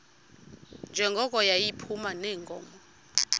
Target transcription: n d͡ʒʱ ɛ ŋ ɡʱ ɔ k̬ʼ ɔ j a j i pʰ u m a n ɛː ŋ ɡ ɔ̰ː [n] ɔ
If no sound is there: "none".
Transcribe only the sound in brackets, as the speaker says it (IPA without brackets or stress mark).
m